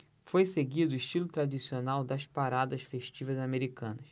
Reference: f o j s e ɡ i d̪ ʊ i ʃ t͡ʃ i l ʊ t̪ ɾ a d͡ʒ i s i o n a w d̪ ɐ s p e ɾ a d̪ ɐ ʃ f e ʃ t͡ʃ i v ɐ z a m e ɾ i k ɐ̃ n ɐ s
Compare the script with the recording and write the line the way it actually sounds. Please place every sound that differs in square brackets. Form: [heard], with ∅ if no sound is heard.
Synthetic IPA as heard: f o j s e ɡ i d̪ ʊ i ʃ t͡ʃ i l ʊ t̪ ɾ a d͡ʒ i s i o n a w d̪ ɐ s p [a] ɾ a d̪ ɐ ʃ f e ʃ t͡ʃ i v ɐ z a m e ɾ i k ɐ̃ n ɐ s